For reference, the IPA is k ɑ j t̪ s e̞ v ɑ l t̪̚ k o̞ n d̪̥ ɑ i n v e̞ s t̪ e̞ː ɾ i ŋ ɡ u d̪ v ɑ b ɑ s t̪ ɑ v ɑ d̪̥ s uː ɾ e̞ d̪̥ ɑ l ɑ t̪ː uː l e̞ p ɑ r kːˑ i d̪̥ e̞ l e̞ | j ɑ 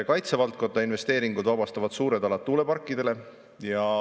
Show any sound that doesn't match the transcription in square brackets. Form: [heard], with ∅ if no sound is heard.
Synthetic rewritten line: k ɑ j t̪ s e̞ v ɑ l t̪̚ k o̞ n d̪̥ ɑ i n v e̞ s t̪ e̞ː ɾ i ŋ ɡ u d̪ v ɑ b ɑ s t̪ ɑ v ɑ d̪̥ s uː ɾ e̞ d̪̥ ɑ l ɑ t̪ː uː l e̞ p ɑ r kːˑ i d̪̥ e̞ l e̞ | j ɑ